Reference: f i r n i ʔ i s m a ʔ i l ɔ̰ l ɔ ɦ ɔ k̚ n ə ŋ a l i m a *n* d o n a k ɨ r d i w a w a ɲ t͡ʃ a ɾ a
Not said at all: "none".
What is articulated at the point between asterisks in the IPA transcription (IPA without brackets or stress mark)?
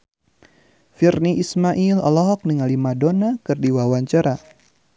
none